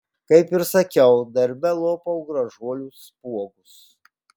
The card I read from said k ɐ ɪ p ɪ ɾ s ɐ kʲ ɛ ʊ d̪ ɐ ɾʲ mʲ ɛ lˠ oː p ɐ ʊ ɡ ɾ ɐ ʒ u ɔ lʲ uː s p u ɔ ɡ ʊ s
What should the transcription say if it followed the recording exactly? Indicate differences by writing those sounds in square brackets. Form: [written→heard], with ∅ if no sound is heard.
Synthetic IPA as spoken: k ɐ ɪ p ɪ ɾ s ɐ kʲ ɛ ʊ d̪ ɐ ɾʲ [mʲ→bʲ] ɛ lˠ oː p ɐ ʊ ɡ ɾ ɐ ʒ u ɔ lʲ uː s p u ɔ ɡ ʊ s